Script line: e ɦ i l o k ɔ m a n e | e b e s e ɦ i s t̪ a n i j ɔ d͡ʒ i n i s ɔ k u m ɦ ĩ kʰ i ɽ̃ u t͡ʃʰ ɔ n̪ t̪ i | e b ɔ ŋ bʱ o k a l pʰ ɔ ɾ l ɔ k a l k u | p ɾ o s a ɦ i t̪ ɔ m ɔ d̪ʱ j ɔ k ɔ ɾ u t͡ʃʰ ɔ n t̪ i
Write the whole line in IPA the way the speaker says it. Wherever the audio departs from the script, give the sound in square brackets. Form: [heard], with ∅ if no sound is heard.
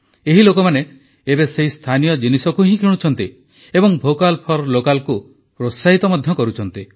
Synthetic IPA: e ɦ i l o k ɔ m a n e | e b e s e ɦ i s [t̪ʰ] a n i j ɔ d͡ʒ i n i s ɔ k u [∅] ɦ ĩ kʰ i ɽ̃ u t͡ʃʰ ɔ n̪ t̪ i | e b ɔ ŋ bʱ o k a l pʰ ɔ ɾ l [o] k a l k u | p ɾ o s a ɦ i t̪ ɔ m ɔ d̪ʱ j ɔ k ɔ ɾ u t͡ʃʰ ɔ n t̪ i